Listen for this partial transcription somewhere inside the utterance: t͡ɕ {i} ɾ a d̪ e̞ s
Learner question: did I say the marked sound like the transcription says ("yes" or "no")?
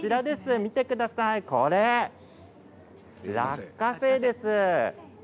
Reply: yes